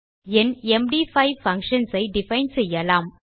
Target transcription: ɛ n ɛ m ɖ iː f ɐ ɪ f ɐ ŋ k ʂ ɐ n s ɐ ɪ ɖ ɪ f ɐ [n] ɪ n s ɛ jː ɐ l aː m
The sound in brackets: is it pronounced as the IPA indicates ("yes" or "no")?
no